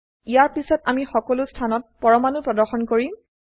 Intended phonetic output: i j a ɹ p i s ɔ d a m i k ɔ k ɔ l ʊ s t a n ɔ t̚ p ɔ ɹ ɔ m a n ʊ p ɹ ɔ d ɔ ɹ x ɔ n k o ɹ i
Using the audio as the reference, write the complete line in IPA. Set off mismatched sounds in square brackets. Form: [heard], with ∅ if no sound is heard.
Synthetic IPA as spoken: i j a ɹ p i s ɔ [t] a m i [x] ɔ k ɔ l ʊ s [tʰ] a n ɔ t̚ p ɔ ɹ ɔ m a n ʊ p ɹ ɔ d ɔ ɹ x ɔ n k o ɹ i